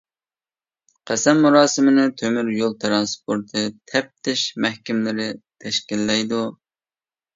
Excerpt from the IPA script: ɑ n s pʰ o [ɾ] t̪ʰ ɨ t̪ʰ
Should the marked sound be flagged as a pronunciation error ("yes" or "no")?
no